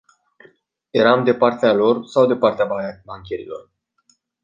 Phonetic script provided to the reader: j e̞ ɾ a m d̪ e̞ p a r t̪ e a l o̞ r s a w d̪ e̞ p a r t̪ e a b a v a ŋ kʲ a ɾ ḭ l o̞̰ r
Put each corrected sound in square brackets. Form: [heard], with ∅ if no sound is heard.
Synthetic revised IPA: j e̞ ɾ a m d̪ e̞ p a r t̪ e a l o̞ r s a w d̪ e̞ p a r t̪ e a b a [b] a ŋ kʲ [e] ɾ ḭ l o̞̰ r

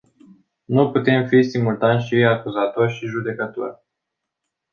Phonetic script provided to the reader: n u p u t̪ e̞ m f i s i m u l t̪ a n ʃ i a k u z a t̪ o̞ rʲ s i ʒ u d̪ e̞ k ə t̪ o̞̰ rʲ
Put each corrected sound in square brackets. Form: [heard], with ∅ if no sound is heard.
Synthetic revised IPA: n u p u t̪ e̞ m f i s i m u l t̪ a n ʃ i a k u z a t̪ o̞ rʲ [ʃ] i ʒ u d̪ e̞ k ə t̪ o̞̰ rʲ

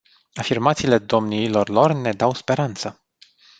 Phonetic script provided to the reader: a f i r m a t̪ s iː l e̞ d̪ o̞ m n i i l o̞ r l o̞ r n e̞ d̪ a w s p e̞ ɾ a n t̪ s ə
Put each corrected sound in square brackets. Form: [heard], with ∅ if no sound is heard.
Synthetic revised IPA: a f i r m a t̪ s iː l e̞ d̪ o̞ m n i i l o̞ r l o̞ r n e̞ d̪ a w s p e̞ ɾ a n t̪ s ə

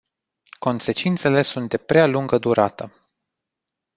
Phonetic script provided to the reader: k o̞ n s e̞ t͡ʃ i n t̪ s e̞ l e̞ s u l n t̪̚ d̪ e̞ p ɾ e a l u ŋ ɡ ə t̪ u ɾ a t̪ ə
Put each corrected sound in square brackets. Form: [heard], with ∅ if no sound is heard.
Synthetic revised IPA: k o̞ n s e̞ t͡ʃ i n t̪ s e̞ l e̞ s u [∅] n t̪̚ d̪ e̞ p ɾ e a l u ŋ ɡ ə [d̪] u ɾ a t̪ ə

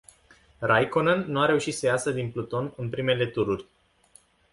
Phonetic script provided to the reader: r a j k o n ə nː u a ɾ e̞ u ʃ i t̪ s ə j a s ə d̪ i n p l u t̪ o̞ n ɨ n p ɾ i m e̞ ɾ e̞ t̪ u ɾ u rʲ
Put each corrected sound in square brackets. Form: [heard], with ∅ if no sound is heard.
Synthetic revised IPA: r a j k o n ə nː u a ɾ e̞ u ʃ i t̪ s ə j a s ə d̪ i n p l u t̪ o̞ n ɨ n p ɾ i m e̞ [l] e̞ t̪ u ɾ u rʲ

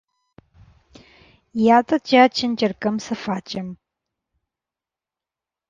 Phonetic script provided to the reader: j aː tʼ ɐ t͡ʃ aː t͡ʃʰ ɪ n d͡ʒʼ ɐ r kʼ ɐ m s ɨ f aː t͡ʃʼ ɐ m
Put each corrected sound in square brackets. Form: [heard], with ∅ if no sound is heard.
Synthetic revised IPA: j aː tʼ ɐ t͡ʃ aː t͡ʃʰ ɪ n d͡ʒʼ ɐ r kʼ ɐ m s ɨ f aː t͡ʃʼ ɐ m

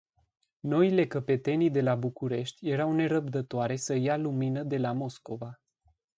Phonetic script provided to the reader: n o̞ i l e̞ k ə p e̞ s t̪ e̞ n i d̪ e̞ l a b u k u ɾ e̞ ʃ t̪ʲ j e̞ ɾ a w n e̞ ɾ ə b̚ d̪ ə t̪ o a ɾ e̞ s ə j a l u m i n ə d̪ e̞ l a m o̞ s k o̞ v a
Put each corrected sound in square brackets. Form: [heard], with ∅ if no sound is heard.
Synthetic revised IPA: n o̞ i l e̞ k ə p e̞ [∅] t̪ e̞ n i d̪ e̞ l a b u k u ɾ e̞ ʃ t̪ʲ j e̞ ɾ a w n e̞ ɾ ə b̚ d̪ ə t̪ o a ɾ e̞ s ə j a l u m i n ə d̪ e̞ l a m o̞ s k o̞ v a

